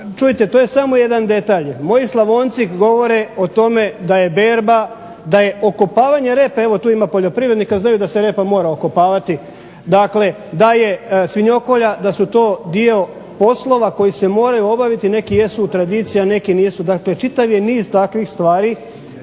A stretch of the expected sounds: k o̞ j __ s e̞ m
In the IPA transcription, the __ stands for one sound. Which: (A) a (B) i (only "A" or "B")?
B